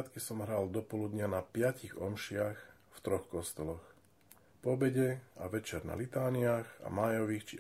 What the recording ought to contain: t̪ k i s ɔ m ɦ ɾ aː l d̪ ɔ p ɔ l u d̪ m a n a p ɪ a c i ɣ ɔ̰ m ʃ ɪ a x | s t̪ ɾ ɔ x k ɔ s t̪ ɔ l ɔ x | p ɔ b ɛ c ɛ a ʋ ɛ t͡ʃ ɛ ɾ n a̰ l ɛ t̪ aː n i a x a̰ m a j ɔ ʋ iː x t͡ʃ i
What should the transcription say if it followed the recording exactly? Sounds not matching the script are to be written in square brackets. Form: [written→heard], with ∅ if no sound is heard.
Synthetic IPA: t̪ k i s ɔ m ɦ ɾ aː l d̪ ɔ p ɔ l u d̪ [m→ɲ] a n a p ɪ a c i ɣ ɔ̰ m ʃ ɪ a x | [s→f] t̪ ɾ ɔ x k ɔ s t̪ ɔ l ɔ x | p ɔ b ɛ [c→ɟ] ɛ a ʋ ɛ t͡ʃ ɛ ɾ n a̰ l [ɛ→i] t̪ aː n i a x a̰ m a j ɔ ʋ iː x t͡ʃ i